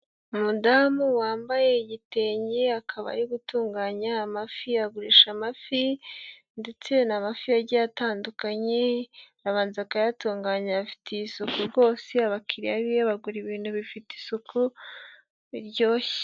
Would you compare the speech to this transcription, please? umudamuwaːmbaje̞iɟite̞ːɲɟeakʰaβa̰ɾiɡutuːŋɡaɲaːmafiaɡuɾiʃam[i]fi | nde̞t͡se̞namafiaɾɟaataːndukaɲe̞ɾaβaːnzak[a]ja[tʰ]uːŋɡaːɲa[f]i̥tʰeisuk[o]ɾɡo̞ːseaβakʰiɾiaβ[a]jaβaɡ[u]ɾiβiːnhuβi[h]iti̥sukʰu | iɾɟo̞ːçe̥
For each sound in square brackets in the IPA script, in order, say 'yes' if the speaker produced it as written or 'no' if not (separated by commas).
no, yes, no, yes, no, no, yes, no